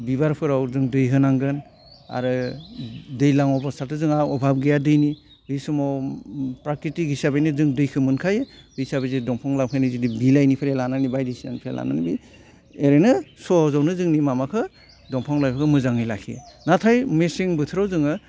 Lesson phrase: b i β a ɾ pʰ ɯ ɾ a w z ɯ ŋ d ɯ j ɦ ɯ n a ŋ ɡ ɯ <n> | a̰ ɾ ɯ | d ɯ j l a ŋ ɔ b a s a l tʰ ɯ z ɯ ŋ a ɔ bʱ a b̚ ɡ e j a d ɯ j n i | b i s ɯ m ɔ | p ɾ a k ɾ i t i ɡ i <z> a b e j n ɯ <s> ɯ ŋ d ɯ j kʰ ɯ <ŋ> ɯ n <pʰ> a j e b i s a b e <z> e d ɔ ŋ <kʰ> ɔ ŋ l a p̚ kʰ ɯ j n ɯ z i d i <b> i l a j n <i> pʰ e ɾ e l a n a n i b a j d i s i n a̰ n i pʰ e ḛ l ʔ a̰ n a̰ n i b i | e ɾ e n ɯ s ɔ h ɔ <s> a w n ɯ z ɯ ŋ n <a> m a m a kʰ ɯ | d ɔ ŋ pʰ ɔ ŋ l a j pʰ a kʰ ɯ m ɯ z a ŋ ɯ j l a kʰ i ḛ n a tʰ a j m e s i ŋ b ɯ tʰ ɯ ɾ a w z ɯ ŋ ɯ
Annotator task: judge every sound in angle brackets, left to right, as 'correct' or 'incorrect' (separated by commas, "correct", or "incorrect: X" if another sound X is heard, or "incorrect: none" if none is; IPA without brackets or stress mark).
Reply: correct, incorrect: s, incorrect: z, incorrect: m, incorrect: kʰ, correct, incorrect: pʰ, correct, correct, incorrect: z, incorrect: i